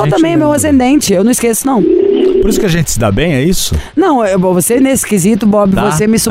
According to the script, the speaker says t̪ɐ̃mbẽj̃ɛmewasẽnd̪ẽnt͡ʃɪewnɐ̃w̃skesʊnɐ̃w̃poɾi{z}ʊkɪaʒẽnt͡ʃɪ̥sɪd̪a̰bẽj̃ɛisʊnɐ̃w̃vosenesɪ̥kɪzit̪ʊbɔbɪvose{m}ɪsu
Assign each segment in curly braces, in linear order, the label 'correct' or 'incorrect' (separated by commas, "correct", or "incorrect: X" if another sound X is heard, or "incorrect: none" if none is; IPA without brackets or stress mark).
incorrect: s, correct